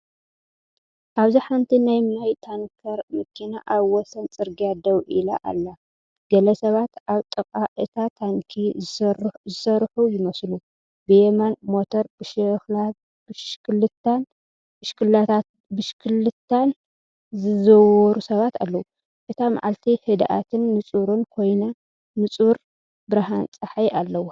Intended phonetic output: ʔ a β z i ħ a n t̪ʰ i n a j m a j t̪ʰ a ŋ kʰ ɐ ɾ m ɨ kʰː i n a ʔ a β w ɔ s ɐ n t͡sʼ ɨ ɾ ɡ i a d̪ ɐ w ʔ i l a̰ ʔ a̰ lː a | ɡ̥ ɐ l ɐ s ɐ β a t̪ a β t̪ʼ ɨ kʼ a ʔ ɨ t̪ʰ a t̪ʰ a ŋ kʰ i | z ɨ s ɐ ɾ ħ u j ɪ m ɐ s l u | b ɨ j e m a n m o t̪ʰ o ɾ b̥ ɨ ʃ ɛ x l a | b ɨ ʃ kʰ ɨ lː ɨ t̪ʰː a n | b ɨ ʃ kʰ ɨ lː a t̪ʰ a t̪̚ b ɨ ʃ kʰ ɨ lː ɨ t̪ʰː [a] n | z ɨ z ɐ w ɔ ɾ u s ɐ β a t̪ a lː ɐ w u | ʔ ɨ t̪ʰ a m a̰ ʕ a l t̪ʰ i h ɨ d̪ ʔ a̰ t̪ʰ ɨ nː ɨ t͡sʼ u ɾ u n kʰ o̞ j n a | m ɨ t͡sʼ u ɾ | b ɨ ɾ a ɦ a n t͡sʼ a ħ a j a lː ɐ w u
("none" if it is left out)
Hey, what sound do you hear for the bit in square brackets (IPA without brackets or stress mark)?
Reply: a